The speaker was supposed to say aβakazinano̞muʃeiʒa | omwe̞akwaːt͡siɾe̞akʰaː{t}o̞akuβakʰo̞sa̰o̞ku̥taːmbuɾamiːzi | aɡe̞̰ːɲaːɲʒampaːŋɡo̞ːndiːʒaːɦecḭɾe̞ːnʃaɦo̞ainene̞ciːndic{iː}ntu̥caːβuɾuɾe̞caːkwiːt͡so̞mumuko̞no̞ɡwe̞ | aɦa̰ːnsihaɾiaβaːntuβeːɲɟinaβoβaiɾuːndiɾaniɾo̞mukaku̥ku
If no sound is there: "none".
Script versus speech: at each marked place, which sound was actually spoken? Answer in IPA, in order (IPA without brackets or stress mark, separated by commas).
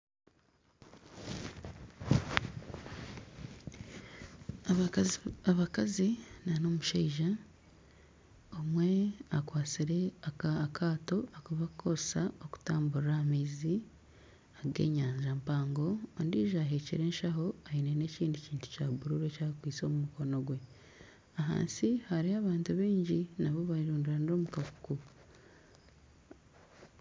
t, iː